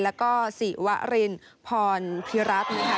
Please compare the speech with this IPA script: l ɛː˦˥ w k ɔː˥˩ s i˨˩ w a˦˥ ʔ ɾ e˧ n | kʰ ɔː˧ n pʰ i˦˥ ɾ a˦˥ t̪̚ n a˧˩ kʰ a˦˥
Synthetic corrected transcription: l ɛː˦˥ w k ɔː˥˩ s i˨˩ w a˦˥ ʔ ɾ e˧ n | pʰ ɔː˧ n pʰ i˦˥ ɾ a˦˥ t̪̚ n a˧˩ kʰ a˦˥